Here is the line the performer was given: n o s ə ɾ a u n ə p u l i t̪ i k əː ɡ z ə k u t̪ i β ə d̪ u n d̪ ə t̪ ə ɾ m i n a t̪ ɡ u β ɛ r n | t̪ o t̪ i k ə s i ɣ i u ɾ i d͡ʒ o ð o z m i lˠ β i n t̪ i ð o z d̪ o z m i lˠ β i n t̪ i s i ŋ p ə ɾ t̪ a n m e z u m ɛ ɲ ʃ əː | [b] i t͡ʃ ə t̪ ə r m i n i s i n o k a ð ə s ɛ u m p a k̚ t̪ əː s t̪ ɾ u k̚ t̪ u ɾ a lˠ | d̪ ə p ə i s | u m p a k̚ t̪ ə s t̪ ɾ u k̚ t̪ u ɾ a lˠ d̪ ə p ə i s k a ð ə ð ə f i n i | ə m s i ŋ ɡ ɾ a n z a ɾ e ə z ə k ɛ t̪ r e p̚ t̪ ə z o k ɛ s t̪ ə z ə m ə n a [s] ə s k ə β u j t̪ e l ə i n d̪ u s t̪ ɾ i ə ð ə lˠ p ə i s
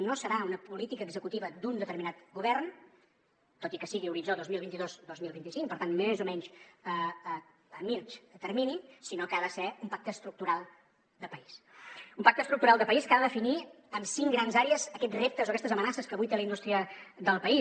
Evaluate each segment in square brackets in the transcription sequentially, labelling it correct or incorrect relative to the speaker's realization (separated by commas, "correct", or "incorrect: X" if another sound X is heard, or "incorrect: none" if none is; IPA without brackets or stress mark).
incorrect: m, correct